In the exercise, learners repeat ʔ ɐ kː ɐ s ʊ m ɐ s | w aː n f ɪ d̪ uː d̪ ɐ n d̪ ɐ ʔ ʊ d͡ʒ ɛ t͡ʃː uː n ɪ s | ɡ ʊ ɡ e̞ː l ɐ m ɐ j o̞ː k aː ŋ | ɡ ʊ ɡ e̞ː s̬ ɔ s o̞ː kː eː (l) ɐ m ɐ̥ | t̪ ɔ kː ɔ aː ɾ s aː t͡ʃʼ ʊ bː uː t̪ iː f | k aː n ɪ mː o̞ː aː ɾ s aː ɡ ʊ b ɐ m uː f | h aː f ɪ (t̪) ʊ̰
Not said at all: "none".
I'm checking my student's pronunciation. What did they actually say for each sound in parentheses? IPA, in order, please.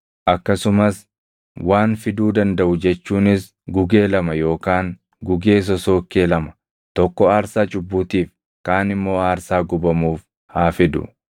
l, d̪

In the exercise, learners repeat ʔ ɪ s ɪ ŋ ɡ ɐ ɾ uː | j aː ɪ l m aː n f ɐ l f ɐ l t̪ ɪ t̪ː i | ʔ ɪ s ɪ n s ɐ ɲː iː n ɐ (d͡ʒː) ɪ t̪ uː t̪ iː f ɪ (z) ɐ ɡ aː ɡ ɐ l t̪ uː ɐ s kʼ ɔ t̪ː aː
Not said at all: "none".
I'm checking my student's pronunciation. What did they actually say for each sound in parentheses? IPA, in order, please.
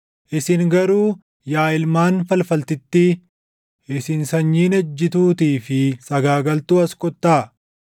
d͡ʒː, s

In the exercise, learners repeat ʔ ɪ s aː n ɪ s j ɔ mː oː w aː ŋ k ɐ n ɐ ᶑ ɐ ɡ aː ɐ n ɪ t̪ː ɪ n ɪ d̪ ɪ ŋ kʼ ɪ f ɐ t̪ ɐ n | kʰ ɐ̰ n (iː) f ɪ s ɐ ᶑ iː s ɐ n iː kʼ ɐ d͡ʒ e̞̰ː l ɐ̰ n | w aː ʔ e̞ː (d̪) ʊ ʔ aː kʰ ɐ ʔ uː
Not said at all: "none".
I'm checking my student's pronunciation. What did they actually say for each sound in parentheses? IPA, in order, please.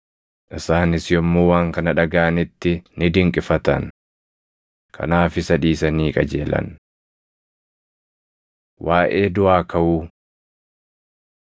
aː, d̪

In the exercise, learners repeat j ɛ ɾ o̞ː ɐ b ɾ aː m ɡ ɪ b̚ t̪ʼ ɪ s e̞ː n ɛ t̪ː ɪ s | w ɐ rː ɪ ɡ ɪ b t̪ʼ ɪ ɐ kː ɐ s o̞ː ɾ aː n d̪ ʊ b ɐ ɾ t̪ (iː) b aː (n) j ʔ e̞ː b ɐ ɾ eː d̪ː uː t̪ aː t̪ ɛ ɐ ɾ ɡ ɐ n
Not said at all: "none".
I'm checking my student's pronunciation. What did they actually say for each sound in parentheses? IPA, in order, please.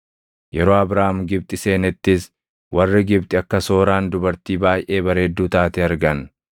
iː, none

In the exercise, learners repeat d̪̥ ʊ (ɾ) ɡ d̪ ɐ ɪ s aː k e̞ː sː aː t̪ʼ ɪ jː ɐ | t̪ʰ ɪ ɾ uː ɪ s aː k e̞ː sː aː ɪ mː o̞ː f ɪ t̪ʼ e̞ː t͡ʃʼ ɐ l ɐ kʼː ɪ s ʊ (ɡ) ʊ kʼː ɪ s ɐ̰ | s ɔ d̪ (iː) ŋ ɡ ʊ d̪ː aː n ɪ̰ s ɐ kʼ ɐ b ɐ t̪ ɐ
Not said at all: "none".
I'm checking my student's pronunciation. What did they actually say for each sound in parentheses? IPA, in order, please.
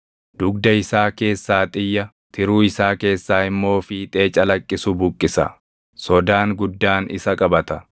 none, b, aː

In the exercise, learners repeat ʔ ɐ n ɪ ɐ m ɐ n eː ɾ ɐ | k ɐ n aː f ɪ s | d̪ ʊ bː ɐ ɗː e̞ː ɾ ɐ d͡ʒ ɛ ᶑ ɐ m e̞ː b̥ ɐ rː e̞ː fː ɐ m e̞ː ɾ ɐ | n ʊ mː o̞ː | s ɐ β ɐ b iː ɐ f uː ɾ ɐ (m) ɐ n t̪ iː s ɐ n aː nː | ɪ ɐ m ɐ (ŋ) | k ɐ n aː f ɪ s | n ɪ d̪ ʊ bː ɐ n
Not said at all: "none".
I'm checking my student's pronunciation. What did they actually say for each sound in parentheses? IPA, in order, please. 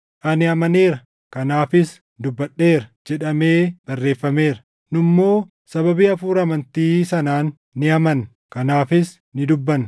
m, n

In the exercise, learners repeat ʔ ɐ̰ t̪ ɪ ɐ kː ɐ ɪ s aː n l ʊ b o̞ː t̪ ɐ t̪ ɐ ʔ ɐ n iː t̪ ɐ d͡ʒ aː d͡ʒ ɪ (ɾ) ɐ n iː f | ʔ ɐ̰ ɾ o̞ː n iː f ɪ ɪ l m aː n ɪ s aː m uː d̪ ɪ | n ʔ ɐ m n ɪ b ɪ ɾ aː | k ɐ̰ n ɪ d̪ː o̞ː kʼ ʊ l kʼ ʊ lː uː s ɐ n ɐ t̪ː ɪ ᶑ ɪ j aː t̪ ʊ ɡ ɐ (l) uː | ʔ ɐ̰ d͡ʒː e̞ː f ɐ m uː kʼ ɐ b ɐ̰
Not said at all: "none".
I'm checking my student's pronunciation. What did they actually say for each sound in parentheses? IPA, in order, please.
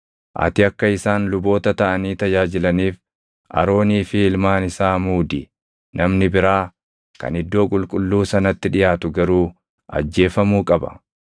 l, ɾ

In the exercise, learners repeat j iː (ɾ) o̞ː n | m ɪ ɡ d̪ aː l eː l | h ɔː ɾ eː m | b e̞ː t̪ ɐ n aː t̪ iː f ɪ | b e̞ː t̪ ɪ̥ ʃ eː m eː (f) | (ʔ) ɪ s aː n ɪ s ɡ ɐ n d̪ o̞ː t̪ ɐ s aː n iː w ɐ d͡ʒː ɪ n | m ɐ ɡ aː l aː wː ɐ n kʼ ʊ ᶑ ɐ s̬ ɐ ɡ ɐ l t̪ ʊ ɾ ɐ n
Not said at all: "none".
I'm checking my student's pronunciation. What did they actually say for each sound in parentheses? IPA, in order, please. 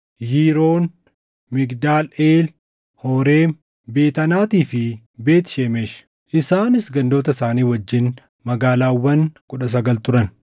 ɾ, ʃ, ʔ

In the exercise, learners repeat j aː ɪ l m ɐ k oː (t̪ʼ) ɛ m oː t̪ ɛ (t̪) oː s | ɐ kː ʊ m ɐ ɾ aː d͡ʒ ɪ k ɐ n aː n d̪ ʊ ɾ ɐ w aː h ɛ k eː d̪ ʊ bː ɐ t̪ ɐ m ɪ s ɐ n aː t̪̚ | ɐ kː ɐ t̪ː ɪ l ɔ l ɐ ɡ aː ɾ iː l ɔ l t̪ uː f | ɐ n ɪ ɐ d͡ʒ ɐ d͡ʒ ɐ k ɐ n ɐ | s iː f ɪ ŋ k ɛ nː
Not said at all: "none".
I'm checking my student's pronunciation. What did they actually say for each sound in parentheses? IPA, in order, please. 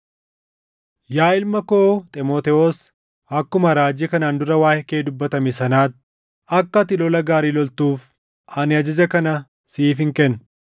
t̪ʼ, none

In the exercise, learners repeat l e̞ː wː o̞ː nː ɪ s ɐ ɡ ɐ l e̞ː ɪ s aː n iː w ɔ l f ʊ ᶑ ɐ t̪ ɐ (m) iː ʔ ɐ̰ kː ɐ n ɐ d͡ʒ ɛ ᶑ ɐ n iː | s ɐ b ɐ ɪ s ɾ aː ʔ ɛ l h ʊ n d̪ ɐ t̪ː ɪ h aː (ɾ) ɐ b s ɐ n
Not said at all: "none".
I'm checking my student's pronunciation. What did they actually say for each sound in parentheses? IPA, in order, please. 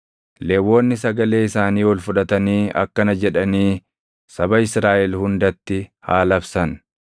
n, l

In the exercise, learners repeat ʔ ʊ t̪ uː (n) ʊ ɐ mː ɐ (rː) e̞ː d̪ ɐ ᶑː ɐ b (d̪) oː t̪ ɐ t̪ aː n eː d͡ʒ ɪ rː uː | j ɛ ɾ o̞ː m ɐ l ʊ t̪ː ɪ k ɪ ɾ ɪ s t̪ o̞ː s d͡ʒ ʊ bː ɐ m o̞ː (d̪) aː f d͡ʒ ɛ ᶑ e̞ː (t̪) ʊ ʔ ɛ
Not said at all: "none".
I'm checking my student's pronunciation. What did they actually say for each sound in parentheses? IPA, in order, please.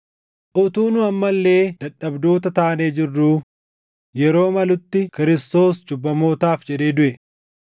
n, lː, d̪, t̪, d̪

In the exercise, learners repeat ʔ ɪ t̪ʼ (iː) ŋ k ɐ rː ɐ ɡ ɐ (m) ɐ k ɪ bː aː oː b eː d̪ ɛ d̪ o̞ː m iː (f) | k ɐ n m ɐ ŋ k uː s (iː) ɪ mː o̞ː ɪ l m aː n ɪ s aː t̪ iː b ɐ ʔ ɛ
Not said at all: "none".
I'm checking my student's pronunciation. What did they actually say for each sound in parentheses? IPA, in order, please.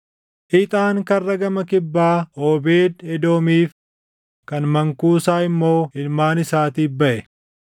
aː, m, f, aː

